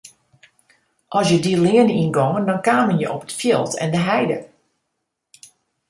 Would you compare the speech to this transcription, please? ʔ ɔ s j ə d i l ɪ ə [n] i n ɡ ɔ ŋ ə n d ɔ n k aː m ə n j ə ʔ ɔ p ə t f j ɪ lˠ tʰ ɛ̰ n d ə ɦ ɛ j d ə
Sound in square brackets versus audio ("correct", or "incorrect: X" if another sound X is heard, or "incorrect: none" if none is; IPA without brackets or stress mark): correct